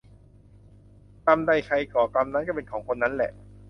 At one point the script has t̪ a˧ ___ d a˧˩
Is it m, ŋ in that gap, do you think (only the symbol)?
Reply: m